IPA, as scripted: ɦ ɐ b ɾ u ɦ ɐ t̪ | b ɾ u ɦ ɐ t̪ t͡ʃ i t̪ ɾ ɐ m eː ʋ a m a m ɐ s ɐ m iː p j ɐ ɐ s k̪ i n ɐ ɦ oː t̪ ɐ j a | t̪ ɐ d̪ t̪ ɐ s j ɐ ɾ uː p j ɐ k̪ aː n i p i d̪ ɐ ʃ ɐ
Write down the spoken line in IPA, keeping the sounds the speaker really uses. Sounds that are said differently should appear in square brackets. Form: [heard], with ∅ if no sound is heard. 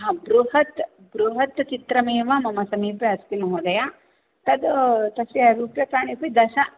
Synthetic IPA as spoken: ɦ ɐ b ɾ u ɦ ɐ t̪ | b ɾ u ɦ ɐ t̪ t͡ʃ i t̪ ɾ ɐ m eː ʋ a m [ɐ] m ɐ s ɐ m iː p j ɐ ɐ s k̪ i n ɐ ɦ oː [d̪] ɐ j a | t̪ ɐ d̪ t̪ ɐ s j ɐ ɾ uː p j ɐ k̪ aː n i p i d̪ ɐ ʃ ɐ